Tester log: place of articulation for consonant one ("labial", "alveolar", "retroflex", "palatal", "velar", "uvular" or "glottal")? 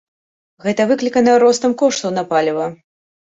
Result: velar